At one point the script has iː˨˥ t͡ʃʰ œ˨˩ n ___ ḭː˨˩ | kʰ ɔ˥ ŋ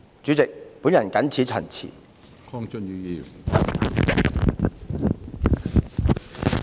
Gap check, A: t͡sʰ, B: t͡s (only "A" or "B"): A